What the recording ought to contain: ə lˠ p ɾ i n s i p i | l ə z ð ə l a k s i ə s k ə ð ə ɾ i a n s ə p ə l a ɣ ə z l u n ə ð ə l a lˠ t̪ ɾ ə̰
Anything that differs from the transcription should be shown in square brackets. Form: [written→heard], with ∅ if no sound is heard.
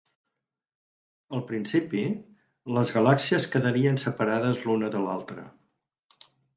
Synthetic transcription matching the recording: ə lˠ p ɾ i n s i p i | l ə z [ð→ɣ] ə l a k s i ə s k ə ð ə ɾ i [a→ə] n s ə p ə [l→ɾ] a [ɣ→ð] ə z l u n ə ð ə l a lˠ t̪ ɾ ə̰